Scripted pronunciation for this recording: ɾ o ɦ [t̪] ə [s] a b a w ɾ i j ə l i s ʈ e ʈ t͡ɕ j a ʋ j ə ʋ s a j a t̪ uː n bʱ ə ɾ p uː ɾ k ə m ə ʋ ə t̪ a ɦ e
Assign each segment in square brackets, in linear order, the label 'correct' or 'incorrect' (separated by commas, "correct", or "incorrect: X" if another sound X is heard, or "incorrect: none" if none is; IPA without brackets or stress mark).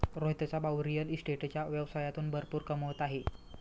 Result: correct, incorrect: t͡s